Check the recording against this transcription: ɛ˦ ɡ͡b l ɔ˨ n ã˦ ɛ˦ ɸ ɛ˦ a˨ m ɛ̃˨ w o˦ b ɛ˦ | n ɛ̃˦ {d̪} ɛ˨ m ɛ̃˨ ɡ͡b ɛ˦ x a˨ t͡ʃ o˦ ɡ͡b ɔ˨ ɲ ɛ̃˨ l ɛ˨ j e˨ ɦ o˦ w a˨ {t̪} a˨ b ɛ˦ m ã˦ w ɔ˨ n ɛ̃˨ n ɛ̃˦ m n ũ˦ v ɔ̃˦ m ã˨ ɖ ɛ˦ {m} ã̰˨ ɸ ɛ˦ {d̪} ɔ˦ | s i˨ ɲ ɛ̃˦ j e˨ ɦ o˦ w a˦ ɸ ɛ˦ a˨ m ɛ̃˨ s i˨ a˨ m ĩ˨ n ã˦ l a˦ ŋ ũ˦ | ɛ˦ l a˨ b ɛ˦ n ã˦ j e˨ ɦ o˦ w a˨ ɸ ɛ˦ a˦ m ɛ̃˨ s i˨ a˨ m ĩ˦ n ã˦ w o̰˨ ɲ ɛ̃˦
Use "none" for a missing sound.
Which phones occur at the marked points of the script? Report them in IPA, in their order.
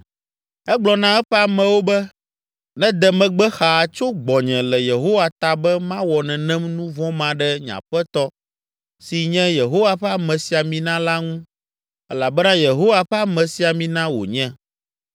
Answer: d̪, t̪, ɲ, t̪

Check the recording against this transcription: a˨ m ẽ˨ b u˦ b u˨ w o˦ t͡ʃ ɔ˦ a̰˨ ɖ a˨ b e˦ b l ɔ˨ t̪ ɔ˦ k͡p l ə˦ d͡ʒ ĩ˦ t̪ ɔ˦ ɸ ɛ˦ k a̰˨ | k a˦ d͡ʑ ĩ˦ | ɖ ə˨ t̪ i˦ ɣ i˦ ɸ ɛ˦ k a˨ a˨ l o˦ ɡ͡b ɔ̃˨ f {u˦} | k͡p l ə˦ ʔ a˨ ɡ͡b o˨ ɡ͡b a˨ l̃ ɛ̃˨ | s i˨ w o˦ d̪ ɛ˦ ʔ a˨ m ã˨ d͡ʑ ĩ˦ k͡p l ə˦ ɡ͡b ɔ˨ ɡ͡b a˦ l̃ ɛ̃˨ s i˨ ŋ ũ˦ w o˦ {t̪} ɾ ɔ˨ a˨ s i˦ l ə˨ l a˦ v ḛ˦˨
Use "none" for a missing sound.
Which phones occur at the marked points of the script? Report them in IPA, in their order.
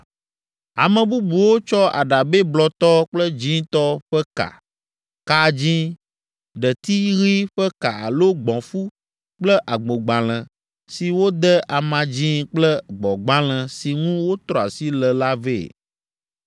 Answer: u˦, t̪

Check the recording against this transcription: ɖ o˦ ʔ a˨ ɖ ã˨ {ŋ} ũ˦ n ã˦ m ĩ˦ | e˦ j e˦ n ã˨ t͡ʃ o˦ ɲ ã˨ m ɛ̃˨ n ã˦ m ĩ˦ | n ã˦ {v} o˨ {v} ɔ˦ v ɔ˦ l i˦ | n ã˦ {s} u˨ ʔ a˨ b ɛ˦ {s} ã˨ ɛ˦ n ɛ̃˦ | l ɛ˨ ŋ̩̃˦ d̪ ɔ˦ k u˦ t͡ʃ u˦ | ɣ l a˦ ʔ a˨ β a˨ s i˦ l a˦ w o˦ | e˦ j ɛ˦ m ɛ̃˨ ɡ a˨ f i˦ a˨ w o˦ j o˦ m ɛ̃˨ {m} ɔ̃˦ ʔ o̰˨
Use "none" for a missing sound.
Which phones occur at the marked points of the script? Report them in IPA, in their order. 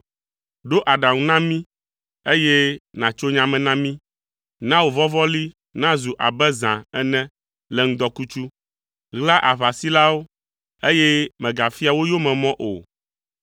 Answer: ŋ, w, v, z, z, m

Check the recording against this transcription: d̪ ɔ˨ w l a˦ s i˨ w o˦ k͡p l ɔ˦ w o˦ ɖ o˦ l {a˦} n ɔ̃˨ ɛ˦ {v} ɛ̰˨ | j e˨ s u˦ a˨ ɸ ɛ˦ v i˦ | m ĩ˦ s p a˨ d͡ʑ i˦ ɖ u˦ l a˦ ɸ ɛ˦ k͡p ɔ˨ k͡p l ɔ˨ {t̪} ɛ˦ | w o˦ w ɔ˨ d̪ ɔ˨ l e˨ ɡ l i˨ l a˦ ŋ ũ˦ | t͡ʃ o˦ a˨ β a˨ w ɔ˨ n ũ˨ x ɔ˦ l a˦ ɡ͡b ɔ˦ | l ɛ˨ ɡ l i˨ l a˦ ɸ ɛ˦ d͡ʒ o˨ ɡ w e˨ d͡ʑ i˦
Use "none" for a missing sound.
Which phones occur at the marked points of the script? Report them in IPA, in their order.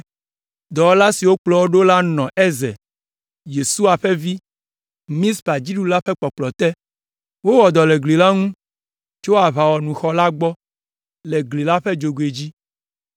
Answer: a˦, z, t̪

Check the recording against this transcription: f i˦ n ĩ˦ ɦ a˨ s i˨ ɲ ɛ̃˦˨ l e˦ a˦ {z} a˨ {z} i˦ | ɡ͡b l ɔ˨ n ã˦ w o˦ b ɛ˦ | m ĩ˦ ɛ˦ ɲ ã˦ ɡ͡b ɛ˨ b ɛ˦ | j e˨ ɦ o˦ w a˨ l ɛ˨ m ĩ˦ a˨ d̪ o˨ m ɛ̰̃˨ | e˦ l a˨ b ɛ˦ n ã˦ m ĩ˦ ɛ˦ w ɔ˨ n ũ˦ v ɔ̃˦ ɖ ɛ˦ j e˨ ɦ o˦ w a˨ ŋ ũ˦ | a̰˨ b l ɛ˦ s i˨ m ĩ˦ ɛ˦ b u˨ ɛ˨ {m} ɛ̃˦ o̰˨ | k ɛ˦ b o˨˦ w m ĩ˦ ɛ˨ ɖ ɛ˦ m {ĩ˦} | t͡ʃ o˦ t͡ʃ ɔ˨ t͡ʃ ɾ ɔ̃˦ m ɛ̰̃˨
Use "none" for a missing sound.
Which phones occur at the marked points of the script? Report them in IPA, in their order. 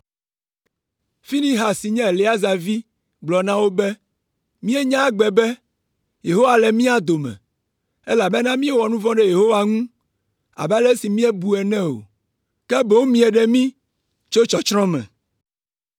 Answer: z, v, n, ĩ˦

